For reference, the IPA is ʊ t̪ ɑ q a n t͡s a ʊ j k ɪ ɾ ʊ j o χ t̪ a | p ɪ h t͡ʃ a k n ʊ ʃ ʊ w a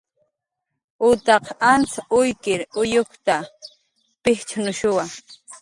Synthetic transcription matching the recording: ʊ t̪ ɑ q a n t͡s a ʊ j k ɪ ɾ ʊ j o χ t̪ a | p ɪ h t͡ʃ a n ʊ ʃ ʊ w a